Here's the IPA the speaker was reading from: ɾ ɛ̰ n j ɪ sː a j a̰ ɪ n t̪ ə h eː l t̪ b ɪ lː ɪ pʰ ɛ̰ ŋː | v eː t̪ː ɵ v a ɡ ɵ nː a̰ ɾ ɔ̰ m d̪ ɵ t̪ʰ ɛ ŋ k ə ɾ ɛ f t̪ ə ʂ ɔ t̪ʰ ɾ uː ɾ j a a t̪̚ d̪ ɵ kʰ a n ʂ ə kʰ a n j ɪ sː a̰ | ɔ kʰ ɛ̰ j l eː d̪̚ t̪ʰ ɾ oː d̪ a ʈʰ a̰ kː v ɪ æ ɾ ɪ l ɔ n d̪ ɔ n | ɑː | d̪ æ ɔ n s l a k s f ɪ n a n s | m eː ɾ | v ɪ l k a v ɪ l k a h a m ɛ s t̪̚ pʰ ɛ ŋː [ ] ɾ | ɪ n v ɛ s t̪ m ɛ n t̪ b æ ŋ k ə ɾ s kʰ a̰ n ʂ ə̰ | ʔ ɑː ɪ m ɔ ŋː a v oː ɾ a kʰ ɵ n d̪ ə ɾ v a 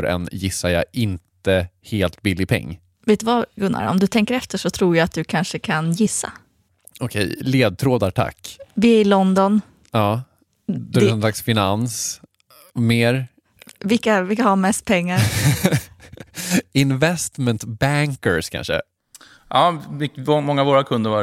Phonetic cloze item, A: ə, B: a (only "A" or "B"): B